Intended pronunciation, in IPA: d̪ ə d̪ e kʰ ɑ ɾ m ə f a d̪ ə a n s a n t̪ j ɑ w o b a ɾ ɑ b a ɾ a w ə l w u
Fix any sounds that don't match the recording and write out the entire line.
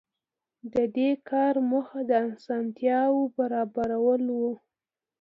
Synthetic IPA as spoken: d̪ ə d̪ e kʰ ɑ ɾ m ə x a d̪ ə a n s ɑ n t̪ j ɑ w o b a ɾ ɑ b a ɾ a w ə l w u

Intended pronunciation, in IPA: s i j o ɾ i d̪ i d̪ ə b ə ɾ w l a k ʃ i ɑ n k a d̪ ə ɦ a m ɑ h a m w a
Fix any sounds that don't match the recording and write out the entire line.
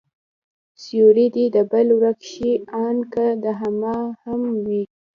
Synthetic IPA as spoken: s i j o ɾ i d̪ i d̪ ə b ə l w ɾ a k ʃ i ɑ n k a d̪ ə ɦ a m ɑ h a m w i

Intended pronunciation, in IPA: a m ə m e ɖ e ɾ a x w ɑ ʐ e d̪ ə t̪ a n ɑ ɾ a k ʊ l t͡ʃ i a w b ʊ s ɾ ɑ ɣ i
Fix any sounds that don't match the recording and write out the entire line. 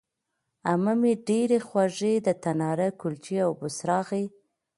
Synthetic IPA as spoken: a m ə m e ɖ e ɾ e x w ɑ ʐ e d̪ ə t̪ a n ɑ ɾ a k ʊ l t͡ʃ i a w b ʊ s ɾ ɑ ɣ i

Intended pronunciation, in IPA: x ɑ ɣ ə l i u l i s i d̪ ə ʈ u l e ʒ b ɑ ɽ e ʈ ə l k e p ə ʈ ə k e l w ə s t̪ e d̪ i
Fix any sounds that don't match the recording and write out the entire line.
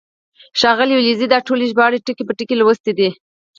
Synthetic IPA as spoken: ʃ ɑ ɣ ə l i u l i z i d̪ ɑ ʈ o l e ʒ b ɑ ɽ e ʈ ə k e p ə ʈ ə k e l w ə s t̪ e d̪ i

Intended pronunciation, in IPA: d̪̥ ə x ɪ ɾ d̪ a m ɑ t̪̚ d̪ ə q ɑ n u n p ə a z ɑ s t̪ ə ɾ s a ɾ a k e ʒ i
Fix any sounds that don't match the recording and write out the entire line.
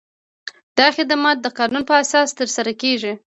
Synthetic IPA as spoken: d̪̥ ɑ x ɪ d̪ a m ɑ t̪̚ d̪ ə q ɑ n u n p ə a s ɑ s t̪ ə ɾ s a ɾ a k e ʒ i

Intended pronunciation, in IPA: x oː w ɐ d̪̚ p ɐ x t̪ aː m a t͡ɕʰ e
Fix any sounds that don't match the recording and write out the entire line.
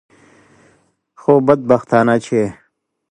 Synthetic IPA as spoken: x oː b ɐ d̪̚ b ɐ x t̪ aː n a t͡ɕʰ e

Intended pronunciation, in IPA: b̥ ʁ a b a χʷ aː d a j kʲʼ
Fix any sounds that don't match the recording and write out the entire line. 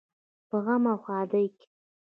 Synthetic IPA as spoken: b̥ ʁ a m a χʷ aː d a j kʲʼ

